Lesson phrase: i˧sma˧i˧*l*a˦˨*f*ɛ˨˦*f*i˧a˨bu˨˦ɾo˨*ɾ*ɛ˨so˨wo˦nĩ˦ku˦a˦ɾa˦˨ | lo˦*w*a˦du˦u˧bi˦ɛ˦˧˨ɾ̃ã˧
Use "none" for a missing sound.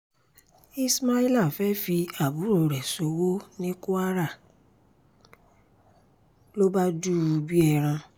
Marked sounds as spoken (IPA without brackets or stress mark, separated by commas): l, f, f, ɾ, b